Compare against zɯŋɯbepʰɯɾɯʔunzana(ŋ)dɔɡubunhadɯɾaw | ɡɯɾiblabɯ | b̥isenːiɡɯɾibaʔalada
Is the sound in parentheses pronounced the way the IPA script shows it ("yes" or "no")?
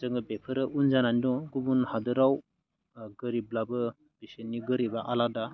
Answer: no